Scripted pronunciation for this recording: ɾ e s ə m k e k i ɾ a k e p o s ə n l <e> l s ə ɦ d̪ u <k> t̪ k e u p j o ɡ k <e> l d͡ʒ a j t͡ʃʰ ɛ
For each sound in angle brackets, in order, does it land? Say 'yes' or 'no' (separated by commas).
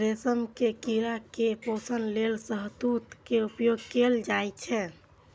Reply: yes, no, yes